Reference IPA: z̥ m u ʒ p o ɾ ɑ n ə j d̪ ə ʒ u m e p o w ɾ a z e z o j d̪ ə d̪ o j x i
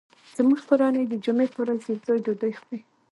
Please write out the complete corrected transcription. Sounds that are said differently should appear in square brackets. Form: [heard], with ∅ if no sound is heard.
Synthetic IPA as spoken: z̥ m u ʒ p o ɾ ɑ n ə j d̪ ə [d͡ʒ] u m e p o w ɾ a z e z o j d̪ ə d̪ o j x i